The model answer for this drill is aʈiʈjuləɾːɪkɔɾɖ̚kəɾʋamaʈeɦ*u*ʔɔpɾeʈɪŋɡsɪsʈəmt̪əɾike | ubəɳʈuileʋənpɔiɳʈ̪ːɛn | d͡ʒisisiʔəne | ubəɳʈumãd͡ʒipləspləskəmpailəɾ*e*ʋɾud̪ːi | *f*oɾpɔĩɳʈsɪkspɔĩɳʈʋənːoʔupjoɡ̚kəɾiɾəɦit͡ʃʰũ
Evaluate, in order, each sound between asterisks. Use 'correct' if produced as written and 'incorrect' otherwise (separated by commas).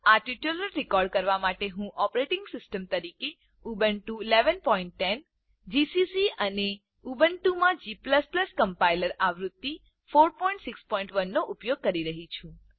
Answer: incorrect, incorrect, correct